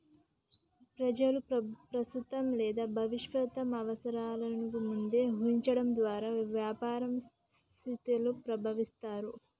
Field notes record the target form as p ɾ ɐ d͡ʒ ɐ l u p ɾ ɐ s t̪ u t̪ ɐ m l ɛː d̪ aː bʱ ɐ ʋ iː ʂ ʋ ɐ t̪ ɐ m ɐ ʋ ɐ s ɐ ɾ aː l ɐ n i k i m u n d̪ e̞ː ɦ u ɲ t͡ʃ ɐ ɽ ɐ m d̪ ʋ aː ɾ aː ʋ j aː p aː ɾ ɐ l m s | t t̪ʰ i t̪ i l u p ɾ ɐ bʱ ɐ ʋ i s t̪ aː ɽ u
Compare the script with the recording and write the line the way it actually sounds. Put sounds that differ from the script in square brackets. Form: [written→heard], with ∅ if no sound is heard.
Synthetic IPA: p ɾ ɐ d͡ʒ ɐ l u p ɾ ɐ s t̪ u t̪ ɐ m l ɛː d̪ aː bʱ ɐ ʋ [iː→i] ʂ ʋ ɐ t̪ ɐ m ɐ ʋ ɐ s ɐ ɾ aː l ɐ n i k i m u n d̪ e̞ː ɦ u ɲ t͡ʃ ɐ ɽ ɐ m d̪ ʋ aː ɾ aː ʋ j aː p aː ɾ ɐ [l→∅] m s | t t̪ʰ i t̪ i l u p ɾ ɐ bʱ ɐ ʋ i s t̪ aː [ɽ→ɾ] u